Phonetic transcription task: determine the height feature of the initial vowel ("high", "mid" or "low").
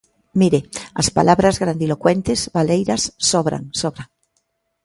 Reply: high